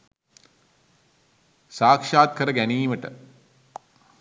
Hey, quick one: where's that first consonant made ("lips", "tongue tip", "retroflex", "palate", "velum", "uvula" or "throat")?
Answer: tongue tip